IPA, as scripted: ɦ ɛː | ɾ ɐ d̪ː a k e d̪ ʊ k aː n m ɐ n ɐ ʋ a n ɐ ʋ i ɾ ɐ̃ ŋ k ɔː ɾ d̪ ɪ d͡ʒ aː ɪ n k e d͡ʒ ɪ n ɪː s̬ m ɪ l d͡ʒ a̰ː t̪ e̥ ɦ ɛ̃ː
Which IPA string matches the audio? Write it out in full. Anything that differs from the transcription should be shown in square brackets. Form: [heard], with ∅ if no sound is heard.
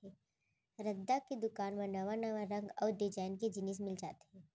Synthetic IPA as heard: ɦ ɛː | ɾ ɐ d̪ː a k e d̪ ʊ k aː n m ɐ n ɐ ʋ a n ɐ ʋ [a] ɾ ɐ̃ ŋ [ɡ] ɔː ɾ d̪ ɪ d͡ʒ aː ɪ n k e d͡ʒ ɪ n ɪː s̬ m ɪ l d͡ʒ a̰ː t̪ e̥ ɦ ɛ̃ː